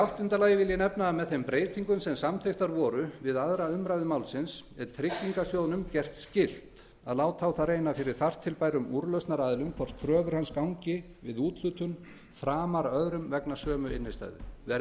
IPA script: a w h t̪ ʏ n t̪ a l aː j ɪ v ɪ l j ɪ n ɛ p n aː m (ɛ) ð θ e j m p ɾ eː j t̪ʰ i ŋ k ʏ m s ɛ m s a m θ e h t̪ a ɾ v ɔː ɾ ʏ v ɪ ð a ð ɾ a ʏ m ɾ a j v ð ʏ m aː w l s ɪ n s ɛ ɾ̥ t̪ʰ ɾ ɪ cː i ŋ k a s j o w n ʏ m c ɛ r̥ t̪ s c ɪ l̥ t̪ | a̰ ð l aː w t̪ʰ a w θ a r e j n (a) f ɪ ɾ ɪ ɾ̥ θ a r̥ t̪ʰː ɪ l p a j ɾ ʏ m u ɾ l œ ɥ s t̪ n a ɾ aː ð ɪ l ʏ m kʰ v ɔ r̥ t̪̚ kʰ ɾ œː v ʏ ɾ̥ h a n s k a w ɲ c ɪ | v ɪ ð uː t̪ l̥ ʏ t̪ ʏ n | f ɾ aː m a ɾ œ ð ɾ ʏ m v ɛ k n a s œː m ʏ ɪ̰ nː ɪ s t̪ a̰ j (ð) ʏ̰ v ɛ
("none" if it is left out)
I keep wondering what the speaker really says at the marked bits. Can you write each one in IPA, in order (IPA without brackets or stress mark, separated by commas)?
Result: ɛ, a, ð